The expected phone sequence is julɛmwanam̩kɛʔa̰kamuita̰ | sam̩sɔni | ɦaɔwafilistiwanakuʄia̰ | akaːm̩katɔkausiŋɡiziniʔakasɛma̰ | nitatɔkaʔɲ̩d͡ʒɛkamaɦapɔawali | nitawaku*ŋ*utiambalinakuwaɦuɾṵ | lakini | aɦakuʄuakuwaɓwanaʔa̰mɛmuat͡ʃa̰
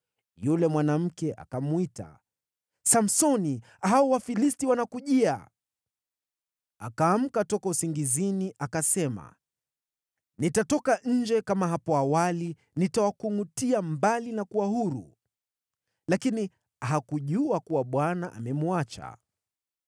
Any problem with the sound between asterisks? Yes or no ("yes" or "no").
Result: no